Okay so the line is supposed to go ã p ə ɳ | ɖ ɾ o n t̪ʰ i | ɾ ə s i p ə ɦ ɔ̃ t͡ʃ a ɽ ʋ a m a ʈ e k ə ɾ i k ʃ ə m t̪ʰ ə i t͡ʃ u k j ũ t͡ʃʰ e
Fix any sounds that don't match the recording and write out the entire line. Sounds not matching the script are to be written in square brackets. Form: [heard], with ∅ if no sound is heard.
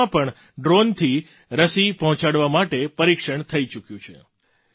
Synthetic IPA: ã p ə ɳ | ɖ ɾ o n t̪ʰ i | ɾ ə s i p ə ɦ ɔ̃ t͡ʃ a ɽ ʋ a m a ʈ e [p] ə ɾ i k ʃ ə [ɳ] t̪ʰ ə i t͡ʃ u k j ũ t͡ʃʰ e